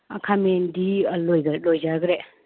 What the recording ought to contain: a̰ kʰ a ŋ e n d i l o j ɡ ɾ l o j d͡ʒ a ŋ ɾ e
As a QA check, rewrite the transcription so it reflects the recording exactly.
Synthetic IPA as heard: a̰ kʰ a m e n d i l o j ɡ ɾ l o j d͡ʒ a ɡ ɾ e